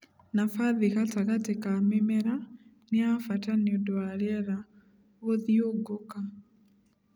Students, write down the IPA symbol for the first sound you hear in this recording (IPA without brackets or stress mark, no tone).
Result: n